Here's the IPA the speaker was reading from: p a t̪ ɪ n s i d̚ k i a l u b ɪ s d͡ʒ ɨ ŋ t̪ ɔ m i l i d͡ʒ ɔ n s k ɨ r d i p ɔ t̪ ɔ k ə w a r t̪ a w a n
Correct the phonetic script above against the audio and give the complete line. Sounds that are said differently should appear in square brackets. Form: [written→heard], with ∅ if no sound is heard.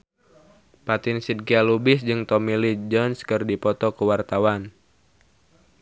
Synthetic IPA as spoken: p a t̪ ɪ n s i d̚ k i a l u b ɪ s d͡ʒ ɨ ŋ t̪ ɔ m i l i d͡ʒ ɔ n s k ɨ r d i p ɔ t̪ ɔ k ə w a r t̪ a w a n